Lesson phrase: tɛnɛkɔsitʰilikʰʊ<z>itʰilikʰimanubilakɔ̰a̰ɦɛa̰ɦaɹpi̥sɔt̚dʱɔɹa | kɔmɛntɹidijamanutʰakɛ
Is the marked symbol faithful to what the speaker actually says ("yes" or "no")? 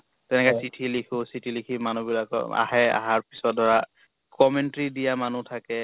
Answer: no